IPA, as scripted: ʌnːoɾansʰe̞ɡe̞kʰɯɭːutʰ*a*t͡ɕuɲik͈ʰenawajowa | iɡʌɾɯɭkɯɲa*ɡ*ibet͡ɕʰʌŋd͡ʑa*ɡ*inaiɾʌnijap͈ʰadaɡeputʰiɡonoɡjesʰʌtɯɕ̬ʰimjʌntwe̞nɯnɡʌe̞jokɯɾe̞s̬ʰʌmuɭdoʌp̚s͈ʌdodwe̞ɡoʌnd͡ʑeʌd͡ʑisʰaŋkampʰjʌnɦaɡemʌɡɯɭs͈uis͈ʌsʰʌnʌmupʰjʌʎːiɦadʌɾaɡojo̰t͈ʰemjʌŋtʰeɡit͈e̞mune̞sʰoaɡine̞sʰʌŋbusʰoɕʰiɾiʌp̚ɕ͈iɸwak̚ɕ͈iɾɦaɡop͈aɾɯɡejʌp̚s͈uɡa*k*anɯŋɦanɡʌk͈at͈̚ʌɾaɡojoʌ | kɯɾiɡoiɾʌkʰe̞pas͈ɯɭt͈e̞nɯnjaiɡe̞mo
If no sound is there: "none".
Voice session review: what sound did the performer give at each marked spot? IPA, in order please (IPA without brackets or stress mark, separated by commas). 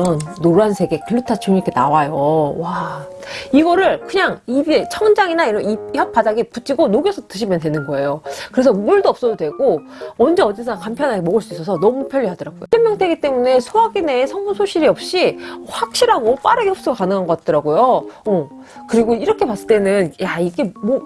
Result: a, ŋ, ŋ, k